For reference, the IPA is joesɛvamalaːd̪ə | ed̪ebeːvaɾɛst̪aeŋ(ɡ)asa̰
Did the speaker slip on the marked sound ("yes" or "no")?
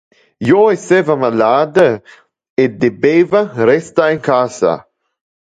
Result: yes